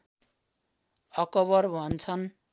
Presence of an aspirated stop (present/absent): present